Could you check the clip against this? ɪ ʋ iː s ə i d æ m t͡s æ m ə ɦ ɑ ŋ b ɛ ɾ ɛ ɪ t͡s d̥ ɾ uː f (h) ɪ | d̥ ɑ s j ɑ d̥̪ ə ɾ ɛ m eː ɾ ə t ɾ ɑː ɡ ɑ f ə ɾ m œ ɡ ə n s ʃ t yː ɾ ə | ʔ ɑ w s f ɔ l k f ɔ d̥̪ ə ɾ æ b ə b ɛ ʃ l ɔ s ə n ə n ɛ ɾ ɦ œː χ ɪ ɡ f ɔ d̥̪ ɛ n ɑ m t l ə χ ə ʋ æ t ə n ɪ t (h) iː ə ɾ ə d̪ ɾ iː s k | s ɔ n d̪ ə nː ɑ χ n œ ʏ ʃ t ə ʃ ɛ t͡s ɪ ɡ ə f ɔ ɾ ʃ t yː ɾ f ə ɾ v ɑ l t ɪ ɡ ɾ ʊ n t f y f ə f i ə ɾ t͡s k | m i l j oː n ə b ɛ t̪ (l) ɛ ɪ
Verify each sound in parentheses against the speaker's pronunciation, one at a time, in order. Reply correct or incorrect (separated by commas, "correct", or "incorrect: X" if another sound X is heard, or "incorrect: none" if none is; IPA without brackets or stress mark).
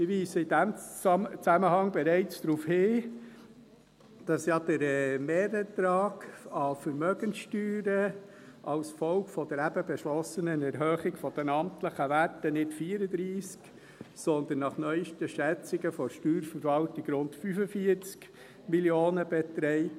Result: correct, incorrect: f, incorrect: ɾ